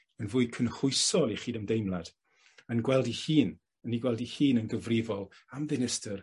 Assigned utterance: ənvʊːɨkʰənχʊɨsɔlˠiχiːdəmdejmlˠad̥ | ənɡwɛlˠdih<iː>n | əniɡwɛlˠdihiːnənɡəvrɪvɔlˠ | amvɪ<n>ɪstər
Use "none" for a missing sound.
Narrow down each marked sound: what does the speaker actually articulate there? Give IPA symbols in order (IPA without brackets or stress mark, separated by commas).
iː, n